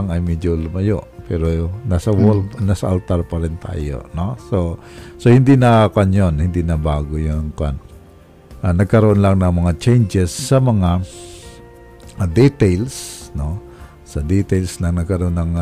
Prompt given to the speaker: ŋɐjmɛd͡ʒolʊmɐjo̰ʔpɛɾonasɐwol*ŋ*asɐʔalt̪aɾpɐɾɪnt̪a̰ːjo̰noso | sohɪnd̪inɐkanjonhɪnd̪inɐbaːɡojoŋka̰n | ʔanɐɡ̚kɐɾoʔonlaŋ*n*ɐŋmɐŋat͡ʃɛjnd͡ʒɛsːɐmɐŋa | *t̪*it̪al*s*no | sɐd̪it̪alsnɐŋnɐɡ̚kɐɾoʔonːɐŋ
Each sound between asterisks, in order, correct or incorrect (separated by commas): incorrect, correct, incorrect, correct